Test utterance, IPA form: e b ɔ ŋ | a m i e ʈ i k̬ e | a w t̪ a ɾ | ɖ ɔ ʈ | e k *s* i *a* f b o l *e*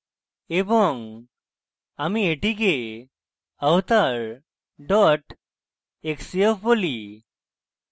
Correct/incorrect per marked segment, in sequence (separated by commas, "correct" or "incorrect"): correct, incorrect, incorrect